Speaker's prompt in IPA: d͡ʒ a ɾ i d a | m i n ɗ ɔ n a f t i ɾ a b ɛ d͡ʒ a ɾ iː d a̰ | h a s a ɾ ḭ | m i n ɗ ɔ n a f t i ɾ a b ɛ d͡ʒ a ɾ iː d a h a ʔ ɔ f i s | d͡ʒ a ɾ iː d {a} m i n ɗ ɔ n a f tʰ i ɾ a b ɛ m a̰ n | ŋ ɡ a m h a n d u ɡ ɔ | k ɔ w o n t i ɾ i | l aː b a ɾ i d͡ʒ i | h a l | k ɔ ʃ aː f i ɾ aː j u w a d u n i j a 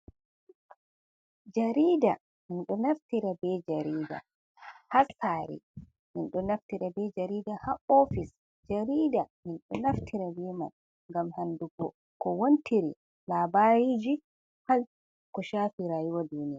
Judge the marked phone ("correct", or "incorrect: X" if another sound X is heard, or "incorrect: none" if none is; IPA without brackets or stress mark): correct